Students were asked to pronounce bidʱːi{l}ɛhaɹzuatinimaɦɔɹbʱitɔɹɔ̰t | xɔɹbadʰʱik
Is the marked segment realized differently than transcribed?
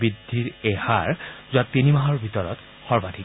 yes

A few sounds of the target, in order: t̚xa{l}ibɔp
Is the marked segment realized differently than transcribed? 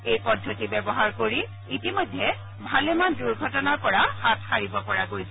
yes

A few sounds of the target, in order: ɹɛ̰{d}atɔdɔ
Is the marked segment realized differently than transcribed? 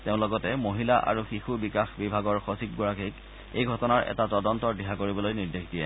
yes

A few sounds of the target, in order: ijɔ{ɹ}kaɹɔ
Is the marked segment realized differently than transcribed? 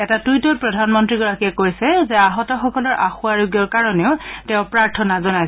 no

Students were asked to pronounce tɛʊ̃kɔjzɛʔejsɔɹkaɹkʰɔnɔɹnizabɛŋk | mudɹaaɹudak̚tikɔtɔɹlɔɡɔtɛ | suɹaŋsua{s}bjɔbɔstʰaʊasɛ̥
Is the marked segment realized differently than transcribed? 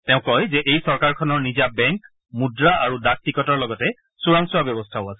yes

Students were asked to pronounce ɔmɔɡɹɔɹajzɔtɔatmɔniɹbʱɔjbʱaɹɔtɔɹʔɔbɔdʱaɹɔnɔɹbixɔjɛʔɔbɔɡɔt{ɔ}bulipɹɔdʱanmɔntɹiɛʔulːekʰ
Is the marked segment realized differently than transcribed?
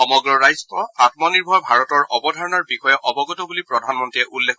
no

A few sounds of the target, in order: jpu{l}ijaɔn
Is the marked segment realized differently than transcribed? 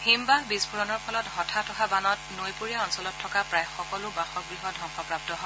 yes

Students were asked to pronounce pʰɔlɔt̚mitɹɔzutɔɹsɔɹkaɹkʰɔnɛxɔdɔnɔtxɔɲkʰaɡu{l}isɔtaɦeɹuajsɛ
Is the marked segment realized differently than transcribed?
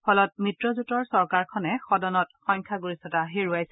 yes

